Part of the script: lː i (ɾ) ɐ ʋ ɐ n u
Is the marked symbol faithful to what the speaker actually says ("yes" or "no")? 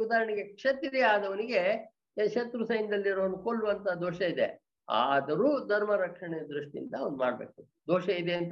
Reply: yes